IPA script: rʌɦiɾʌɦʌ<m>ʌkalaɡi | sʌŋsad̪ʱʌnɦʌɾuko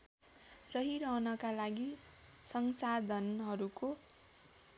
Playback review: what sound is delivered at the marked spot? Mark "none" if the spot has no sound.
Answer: n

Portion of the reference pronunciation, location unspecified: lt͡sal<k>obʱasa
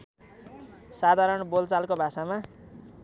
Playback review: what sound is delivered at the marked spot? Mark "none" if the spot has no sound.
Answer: k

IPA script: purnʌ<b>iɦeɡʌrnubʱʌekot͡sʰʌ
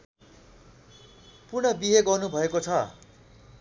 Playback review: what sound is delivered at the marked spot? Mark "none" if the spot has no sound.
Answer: b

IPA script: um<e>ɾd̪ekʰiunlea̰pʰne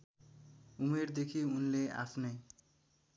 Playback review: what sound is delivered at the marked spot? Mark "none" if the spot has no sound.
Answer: e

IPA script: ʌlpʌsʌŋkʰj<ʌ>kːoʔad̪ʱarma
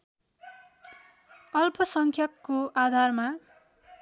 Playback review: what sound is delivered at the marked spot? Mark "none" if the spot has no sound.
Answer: ʌ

